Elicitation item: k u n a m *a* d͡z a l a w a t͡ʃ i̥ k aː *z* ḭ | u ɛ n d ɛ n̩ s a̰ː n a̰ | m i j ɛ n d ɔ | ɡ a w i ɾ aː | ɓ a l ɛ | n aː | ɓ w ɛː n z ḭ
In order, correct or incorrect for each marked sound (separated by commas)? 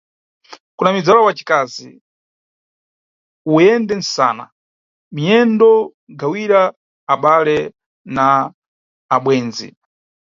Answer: incorrect, correct